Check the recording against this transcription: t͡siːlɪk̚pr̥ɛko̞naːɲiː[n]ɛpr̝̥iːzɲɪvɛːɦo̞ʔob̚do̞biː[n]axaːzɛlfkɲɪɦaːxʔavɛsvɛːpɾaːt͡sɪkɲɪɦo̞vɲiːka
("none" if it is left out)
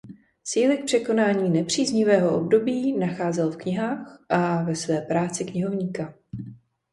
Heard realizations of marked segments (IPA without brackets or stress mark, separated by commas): n, n